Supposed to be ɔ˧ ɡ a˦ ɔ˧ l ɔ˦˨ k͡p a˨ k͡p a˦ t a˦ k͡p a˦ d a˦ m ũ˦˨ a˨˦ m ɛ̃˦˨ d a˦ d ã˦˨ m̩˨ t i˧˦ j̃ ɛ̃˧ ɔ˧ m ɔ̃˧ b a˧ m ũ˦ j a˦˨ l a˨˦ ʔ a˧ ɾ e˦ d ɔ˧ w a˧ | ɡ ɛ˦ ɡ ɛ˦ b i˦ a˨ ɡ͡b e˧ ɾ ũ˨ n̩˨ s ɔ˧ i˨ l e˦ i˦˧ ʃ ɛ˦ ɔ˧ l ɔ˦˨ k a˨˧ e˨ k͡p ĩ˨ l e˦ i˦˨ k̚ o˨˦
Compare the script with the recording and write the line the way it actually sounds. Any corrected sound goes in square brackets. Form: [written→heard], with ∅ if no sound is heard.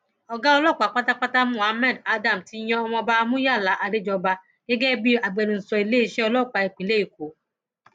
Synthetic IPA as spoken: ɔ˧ ɡ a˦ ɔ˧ l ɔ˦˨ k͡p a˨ k͡p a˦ t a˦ k͡p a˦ [d→t] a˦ m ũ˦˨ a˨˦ m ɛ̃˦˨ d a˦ d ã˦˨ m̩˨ t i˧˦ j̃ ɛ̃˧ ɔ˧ m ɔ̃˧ b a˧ m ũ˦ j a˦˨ l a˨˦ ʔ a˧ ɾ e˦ [d→d͡ʒ] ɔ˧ [w→b] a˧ | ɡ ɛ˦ ɡ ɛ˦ b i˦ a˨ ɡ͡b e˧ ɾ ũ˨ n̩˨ s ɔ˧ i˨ l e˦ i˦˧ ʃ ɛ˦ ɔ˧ l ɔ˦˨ [k→k͡p] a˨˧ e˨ k͡p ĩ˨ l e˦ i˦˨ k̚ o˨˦